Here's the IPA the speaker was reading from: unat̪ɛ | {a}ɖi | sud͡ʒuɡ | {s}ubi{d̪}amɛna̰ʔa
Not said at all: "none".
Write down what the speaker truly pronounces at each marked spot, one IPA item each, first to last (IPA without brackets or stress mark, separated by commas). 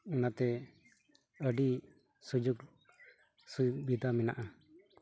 ə, s, d̪